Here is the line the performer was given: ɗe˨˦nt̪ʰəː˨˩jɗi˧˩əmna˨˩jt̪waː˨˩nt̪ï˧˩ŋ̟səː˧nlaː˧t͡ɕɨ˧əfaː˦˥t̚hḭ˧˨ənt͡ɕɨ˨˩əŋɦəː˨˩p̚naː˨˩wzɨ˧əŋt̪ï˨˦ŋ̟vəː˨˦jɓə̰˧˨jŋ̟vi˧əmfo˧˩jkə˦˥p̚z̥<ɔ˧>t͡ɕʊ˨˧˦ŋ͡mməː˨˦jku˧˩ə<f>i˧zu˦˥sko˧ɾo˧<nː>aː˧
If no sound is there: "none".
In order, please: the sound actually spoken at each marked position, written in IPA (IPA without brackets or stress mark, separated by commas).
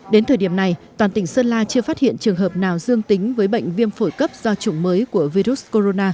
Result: ɔ˧, v, n